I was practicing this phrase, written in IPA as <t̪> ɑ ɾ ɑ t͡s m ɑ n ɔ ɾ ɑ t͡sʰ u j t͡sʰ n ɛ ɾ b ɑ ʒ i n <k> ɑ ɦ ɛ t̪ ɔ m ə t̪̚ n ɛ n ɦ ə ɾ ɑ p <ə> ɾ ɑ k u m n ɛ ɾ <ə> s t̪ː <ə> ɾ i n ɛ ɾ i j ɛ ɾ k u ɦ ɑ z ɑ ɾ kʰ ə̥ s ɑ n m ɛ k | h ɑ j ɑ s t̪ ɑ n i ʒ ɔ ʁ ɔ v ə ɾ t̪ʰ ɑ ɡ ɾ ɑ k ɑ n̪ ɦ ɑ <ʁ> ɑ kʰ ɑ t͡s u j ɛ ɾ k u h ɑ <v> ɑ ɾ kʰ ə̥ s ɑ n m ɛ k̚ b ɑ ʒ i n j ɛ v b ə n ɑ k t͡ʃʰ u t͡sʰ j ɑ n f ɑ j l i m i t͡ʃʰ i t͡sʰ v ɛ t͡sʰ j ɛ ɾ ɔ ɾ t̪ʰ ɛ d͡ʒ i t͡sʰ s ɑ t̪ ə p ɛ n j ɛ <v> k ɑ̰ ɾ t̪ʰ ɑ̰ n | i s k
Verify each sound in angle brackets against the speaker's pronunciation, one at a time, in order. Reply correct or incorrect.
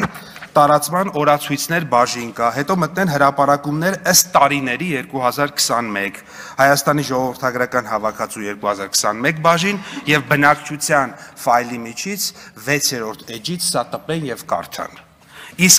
correct, correct, incorrect, correct, incorrect, incorrect, incorrect, correct

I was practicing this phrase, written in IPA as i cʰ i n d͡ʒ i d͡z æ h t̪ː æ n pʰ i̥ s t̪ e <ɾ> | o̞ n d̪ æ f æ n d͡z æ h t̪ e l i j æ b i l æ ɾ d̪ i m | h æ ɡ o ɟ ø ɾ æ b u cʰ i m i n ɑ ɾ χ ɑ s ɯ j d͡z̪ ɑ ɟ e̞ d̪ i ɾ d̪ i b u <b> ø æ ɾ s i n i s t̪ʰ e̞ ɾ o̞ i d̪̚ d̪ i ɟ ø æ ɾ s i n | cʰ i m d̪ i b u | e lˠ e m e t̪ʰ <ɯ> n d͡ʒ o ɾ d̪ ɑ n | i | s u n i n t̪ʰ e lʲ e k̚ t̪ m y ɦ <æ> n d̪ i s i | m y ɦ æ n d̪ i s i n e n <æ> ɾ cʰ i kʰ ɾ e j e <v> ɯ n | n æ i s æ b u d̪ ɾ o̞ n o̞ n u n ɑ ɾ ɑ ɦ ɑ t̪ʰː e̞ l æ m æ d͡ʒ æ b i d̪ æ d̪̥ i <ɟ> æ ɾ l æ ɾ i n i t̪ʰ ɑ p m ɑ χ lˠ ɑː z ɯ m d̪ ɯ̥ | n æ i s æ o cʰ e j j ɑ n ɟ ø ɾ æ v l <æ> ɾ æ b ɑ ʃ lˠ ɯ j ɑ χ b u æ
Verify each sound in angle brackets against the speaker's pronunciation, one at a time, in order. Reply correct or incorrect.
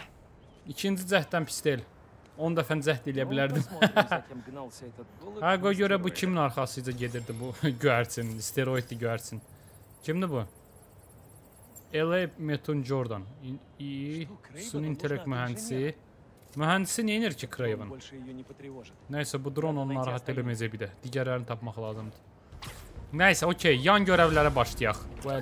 incorrect, incorrect, incorrect, correct, incorrect, correct, correct, correct

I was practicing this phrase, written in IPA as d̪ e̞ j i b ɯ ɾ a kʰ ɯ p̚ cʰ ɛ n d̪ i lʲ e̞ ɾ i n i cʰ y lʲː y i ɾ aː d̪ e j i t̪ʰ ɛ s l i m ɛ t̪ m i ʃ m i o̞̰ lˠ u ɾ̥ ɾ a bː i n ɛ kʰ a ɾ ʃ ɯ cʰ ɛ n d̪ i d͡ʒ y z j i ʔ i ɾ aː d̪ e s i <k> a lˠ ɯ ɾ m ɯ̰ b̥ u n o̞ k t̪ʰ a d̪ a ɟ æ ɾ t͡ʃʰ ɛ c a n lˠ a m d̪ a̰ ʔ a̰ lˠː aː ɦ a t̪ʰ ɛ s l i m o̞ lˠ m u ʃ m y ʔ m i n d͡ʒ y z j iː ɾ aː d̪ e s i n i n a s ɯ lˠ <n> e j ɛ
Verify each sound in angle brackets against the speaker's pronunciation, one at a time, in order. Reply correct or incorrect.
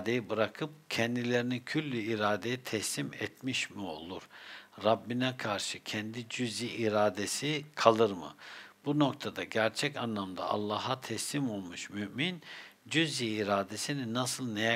incorrect, correct

